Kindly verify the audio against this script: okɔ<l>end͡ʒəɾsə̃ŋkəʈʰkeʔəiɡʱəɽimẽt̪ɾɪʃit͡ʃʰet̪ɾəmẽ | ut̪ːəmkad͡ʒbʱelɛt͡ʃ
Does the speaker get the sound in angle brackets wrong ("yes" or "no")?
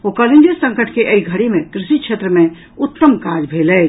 no